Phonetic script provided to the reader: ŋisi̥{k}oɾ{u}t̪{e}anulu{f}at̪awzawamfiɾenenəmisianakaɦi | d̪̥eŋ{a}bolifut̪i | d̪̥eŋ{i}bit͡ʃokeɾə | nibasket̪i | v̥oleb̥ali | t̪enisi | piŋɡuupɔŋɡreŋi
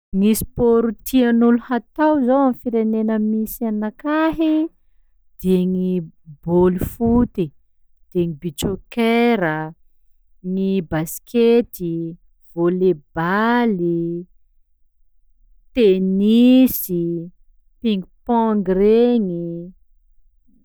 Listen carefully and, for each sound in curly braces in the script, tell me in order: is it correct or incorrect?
incorrect: p, correct, incorrect: i, incorrect: h, incorrect: i, correct

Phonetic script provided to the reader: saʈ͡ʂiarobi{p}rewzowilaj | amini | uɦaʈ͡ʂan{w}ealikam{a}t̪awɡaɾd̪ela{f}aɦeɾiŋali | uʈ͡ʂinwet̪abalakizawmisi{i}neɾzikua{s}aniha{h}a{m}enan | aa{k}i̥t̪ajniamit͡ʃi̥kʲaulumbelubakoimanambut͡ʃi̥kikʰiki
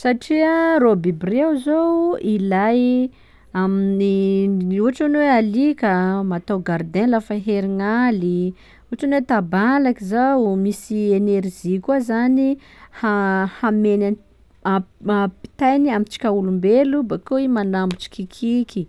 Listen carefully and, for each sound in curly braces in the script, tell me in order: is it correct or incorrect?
incorrect: b, correct, correct, correct, incorrect: e, incorrect: z, correct, correct, incorrect: p

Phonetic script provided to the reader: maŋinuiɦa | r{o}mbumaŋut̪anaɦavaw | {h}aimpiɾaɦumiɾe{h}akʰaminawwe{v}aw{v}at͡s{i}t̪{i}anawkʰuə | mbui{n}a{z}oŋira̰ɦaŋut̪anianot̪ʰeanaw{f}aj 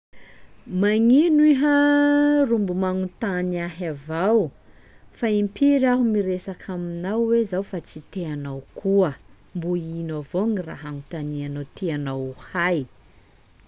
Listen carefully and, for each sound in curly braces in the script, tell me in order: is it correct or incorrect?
incorrect: u, incorrect: f, incorrect: s, incorrect: z, incorrect: f, correct, incorrect: e, correct, incorrect: v, incorrect: h

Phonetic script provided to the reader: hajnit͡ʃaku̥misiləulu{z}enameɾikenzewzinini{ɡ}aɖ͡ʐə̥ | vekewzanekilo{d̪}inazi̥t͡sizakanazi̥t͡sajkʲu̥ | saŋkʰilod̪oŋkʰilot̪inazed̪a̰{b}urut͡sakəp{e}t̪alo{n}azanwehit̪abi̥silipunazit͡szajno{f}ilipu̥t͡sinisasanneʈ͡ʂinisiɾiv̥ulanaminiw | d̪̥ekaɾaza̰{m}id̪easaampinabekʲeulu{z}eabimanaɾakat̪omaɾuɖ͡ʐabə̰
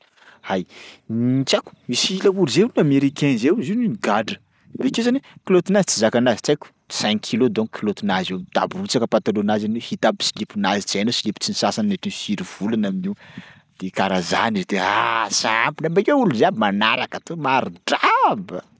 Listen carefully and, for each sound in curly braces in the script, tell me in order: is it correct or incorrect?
correct, correct, incorrect: t̪, correct, incorrect: a, correct, incorrect: s, incorrect: n, correct

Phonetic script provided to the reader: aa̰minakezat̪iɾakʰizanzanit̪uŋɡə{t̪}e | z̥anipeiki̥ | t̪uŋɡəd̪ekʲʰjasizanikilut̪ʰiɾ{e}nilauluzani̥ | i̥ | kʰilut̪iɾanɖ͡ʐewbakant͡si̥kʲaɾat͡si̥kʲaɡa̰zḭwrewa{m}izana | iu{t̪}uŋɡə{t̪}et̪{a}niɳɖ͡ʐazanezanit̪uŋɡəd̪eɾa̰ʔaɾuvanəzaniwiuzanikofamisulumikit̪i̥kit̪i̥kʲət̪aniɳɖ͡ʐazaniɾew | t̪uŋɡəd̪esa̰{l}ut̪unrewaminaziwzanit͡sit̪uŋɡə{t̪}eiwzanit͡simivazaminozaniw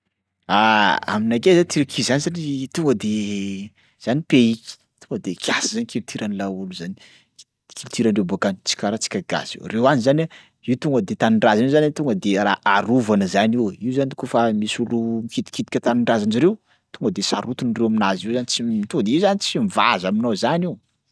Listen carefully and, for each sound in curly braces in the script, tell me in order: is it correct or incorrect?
incorrect: d̪, incorrect: a, incorrect: n, correct, incorrect: d̪, correct, incorrect: ɾ, incorrect: d̪

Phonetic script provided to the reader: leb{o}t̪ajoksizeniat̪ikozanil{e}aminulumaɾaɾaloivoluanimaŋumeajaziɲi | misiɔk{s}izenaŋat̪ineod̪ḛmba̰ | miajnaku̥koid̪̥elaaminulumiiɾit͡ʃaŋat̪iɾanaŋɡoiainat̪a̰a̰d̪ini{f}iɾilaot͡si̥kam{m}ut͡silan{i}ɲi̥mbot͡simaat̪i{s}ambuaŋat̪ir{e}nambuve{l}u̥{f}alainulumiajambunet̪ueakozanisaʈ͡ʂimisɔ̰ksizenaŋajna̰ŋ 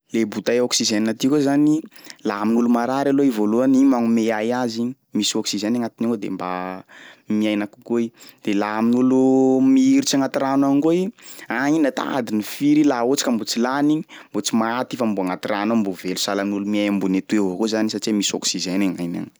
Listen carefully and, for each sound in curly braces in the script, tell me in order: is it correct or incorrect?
incorrect: u, incorrect: a, correct, correct, incorrect: b, correct, incorrect: f, incorrect: a, correct, incorrect: s

